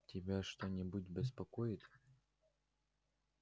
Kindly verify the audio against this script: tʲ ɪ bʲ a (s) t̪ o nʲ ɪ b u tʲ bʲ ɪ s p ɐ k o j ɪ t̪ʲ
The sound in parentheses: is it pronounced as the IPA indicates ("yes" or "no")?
no